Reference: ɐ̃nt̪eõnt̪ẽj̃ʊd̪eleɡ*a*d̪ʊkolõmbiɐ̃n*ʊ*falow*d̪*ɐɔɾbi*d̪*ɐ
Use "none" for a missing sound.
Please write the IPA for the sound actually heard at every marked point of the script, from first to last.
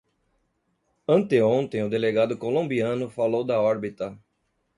a, ʊ, d̪, t̪

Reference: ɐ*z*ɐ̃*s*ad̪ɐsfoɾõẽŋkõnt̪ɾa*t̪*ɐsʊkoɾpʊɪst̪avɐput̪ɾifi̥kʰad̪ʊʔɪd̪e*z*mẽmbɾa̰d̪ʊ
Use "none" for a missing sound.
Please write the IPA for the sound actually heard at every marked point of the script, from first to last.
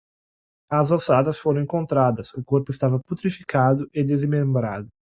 z, s, d̪, z

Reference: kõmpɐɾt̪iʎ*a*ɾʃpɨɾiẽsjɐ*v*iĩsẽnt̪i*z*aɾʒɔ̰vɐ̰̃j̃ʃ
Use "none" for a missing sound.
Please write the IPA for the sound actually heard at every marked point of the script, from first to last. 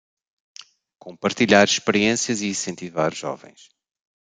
a, z, v

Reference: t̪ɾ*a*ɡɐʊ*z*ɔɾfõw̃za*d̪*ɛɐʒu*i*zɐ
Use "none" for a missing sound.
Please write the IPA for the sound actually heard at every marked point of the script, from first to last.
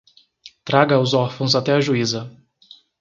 a, z, t̪, i

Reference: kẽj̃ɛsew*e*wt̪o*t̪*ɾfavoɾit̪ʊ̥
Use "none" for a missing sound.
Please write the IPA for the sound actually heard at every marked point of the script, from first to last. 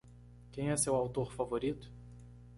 a, none

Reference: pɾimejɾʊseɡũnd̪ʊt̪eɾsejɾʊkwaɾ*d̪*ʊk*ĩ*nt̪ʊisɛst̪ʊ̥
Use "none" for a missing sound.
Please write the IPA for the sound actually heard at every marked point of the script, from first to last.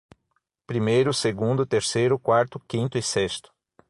t̪, ĩ

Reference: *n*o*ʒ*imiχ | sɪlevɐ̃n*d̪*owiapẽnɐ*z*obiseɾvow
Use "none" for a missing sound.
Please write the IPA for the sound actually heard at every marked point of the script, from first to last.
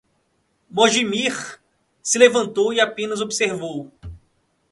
m, ʒ, t̪, z

